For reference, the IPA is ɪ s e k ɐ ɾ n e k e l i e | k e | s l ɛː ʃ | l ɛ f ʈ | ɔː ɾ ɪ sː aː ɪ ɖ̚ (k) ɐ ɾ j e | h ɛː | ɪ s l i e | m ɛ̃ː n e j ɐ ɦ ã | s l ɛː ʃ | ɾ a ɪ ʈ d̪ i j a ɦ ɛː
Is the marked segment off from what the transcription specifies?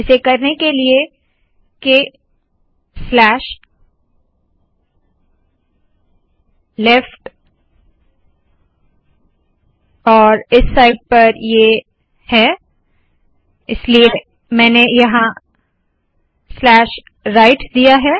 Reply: yes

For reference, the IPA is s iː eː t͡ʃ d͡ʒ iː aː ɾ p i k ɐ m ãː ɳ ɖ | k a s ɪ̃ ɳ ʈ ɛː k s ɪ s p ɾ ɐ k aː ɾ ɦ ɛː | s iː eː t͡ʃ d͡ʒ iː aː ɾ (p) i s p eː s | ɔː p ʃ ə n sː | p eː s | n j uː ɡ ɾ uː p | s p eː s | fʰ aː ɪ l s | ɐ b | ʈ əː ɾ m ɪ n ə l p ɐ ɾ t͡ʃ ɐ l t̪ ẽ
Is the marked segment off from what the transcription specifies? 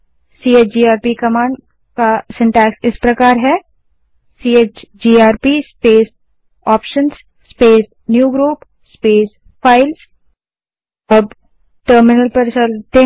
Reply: no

